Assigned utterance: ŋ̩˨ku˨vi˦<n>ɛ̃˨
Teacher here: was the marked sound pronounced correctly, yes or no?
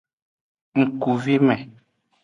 no